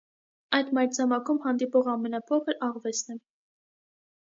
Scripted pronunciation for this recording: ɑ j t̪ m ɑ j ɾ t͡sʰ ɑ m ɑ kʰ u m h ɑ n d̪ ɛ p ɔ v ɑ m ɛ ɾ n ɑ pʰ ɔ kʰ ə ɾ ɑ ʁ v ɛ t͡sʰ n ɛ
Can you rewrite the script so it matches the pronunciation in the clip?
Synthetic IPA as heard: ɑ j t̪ m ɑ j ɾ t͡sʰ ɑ m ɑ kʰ u m h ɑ n d̪ i p ɔ ʁ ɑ m ɛ n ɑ pʰ ɔ kʰ ə ɾ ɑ ʁ v ɛ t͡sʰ n ɛ

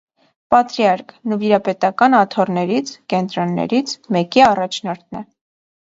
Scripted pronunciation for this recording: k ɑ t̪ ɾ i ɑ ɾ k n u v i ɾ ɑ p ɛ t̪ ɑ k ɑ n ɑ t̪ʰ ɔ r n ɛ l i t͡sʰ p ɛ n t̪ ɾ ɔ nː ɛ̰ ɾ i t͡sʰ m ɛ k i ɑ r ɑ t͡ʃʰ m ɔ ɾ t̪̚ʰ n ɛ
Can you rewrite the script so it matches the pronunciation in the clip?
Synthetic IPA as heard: p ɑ t̪ ɾ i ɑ ɾ k n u v i ɾ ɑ p ɛ t̪ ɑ k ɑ n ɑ t̪ʰ ɔ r n ɛ ɾ i t͡sʰ k ɛ n t̪ ɾ ɔ nː ɛ̰ ɾ i t͡sʰ m ɛ k i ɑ r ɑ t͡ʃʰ n ɔ ɾ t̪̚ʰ n ɛ

